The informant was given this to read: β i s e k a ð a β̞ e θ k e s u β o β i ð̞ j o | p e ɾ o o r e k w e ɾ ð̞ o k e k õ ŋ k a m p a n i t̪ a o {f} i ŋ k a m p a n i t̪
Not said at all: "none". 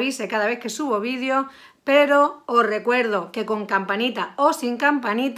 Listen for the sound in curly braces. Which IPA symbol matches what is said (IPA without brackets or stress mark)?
s